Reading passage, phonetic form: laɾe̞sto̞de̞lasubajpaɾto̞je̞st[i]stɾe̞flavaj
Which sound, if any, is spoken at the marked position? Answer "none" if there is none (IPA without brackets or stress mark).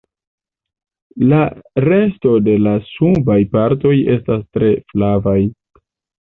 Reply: a